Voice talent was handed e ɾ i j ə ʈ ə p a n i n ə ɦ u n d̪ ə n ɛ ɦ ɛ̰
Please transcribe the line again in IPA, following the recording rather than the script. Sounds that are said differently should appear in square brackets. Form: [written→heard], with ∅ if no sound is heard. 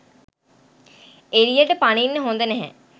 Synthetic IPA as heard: e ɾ i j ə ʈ ə p a n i [n→nː] ə ɦ [u→o] n d̪ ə n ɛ ɦ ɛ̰